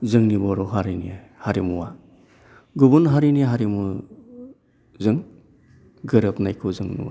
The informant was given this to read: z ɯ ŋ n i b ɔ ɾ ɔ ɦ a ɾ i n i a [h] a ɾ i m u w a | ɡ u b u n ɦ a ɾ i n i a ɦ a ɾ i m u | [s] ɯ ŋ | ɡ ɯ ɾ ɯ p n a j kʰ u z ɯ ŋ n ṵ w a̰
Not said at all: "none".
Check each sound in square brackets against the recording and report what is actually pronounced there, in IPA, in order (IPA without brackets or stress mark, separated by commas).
h, z